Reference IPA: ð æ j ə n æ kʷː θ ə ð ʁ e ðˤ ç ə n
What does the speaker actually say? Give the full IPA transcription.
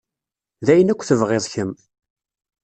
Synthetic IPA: ð æ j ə n æ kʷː θ ə v ʁ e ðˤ ç ə m